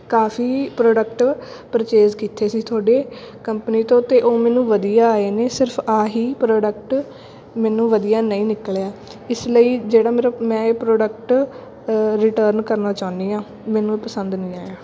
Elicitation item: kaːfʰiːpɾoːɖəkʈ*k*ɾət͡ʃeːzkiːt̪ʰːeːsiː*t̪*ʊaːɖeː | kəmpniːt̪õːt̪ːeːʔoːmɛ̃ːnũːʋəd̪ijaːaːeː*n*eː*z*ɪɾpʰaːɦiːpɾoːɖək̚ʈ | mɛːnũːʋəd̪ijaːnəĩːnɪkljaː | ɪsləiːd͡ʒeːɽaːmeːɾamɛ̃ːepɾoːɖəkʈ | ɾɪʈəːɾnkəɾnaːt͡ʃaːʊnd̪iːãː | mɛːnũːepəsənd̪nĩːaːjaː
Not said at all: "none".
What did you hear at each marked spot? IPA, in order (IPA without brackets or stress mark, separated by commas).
p, t̪ʰ, n, s